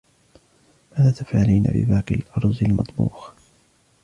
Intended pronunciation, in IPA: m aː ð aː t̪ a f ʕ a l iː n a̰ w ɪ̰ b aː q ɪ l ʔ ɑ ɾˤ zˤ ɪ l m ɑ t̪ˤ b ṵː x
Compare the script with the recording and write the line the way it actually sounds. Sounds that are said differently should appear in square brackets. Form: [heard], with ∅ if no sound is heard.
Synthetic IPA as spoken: m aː ð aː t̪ a f ʕ a l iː n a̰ [b] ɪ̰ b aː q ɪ l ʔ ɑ ɾˤ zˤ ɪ l m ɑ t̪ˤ b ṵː x